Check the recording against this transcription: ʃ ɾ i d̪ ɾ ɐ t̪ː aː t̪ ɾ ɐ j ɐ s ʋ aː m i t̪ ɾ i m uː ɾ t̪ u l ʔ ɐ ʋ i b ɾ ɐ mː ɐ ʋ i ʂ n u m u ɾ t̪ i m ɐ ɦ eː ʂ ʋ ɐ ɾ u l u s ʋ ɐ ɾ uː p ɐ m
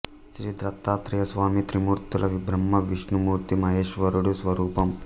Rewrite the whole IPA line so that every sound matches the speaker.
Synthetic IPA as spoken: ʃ ɾ i d̪ ɾ ɐ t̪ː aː t̪ ɾ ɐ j ɐ s ʋ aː m i t̪ ɾ i m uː ɾ t̪ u l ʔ ɐ ʋ i b ɾ ɐ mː ɐ ʋ i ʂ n u m uː ɾ t̪ i m ɐ ɦ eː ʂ ʋ ɐ ɾ u ɽ u s ʋ ɐ ɾ uː p ɐ m